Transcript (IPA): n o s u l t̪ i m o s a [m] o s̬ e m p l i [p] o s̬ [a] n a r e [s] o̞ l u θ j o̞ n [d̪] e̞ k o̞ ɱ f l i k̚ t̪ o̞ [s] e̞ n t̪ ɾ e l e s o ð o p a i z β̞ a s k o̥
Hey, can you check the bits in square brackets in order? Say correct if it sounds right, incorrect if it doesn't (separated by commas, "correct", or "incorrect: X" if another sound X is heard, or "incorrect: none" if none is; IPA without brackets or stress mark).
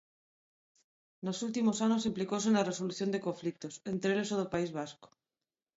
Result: incorrect: n, incorrect: k, incorrect: e, correct, correct, correct